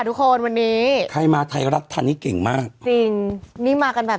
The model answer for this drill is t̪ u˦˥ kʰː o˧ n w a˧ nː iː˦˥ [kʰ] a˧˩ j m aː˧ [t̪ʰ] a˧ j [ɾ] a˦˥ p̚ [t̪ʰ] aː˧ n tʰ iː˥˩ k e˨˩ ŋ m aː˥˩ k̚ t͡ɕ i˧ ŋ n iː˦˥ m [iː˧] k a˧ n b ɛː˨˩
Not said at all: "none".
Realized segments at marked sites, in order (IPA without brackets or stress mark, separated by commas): kʰ, t̪ʰ, ɾ, t̪ʰ, aː˧